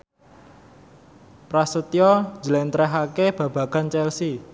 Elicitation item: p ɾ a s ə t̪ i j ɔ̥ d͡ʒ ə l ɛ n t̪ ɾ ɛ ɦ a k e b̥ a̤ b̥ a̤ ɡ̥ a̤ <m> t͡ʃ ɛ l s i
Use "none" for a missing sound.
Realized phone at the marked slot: n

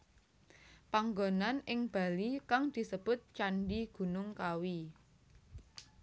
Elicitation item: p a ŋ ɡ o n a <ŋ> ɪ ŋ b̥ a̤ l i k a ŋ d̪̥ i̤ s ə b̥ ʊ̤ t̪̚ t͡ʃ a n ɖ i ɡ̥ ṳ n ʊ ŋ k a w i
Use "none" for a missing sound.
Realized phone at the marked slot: n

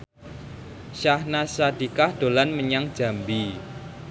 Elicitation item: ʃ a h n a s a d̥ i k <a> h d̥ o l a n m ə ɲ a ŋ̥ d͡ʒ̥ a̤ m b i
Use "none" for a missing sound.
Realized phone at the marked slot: a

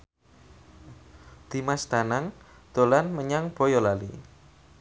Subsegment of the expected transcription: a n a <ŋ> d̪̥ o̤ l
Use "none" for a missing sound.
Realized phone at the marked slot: ŋ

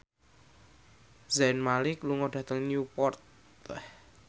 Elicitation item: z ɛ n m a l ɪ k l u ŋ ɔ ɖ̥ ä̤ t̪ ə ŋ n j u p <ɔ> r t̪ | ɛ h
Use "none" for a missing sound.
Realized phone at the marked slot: ɔ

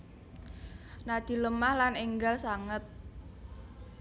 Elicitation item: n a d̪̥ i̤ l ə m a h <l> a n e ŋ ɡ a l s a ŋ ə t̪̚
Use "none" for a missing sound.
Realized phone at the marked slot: l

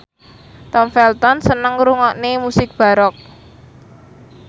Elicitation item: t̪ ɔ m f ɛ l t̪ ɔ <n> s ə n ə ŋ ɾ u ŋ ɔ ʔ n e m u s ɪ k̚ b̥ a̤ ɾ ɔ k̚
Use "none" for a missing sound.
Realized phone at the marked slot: n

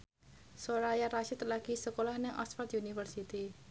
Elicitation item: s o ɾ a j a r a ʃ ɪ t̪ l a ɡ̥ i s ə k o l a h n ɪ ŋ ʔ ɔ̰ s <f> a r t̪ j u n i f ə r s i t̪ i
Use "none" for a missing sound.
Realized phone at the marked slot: f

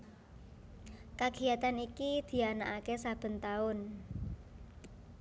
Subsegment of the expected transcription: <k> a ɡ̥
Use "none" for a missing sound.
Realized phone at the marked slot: k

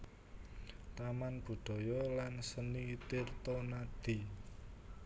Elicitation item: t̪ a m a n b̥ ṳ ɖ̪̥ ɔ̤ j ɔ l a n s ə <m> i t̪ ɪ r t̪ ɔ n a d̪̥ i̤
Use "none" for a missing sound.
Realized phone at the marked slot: n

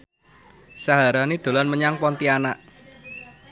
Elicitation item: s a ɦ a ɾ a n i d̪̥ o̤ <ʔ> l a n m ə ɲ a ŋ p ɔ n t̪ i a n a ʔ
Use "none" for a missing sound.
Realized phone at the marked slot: none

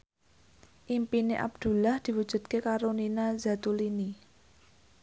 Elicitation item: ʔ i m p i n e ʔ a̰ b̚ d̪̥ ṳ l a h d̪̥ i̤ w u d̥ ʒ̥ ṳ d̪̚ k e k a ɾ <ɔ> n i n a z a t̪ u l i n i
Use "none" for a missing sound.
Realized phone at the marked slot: o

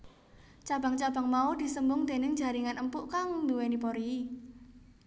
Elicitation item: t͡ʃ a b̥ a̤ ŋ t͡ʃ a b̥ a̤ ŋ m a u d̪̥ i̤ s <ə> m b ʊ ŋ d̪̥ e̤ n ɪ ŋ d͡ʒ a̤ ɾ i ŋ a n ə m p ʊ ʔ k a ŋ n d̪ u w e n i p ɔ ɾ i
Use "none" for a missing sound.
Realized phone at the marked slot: ə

